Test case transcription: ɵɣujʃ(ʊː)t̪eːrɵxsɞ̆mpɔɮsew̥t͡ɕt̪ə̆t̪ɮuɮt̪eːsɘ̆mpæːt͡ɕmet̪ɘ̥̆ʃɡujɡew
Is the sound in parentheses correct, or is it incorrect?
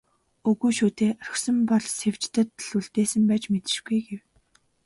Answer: incorrect